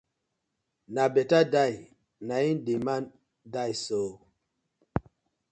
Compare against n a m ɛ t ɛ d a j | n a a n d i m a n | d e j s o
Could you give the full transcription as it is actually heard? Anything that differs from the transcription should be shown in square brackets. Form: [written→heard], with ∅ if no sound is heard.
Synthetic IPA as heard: n a [m→b] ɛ t [ɛ→a] d a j | n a [a→i] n d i m a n | d [e→a] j s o